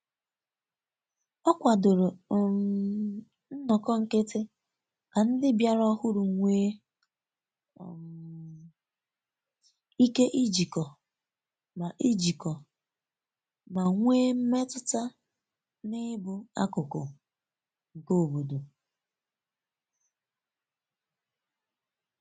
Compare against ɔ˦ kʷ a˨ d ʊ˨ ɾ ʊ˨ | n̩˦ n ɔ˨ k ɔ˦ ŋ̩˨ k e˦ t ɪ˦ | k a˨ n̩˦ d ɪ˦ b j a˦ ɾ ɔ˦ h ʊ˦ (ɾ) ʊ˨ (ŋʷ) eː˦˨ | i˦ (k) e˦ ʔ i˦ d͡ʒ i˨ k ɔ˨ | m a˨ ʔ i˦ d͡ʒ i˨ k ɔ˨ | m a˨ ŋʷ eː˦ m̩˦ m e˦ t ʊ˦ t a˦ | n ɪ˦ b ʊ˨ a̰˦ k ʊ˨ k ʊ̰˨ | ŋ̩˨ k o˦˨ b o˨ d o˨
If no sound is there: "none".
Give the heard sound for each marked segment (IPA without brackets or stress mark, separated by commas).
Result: ɾ, ŋʷ, k